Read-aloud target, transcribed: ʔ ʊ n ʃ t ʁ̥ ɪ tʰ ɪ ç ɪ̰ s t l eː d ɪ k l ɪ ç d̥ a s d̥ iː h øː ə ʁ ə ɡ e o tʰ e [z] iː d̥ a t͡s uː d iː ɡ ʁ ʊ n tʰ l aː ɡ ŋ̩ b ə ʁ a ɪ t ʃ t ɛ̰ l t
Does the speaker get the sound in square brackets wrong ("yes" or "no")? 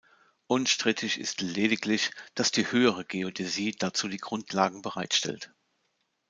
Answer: no